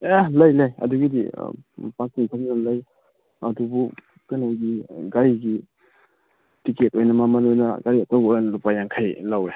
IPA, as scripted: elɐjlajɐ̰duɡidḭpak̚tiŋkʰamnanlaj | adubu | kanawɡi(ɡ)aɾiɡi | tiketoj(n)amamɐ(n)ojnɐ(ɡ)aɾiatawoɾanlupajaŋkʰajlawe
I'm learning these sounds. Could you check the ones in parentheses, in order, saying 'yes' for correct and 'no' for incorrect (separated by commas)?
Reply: yes, yes, yes, yes